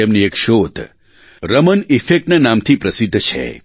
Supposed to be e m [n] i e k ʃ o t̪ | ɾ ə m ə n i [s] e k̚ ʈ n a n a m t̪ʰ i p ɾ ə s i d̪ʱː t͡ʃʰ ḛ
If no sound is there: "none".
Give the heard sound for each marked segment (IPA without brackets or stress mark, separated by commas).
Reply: n, f